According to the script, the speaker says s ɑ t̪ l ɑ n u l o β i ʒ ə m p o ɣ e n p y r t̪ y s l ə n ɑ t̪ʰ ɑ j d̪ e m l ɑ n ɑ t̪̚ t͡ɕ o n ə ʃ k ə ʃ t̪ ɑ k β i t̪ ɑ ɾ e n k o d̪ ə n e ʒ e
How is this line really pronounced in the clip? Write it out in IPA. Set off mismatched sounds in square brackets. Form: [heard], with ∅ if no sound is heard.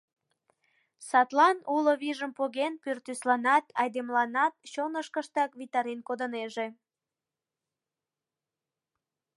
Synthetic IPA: s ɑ t̪ l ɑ n u l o β i ʒ ə m p o ɣ e n p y r t̪ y s l [ɑ] n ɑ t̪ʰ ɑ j d̪ e m l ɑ n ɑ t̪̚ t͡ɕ o n ə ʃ k ə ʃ t̪ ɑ k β i t̪ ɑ ɾ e n k o d̪ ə n e ʒ e